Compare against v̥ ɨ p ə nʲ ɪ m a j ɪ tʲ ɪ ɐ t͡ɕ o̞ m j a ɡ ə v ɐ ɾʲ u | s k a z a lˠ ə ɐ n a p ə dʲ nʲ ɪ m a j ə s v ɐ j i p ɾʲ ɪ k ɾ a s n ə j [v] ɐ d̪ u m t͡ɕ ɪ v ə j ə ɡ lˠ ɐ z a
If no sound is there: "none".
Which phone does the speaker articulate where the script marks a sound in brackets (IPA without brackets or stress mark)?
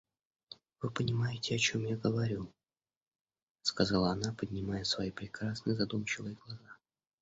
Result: z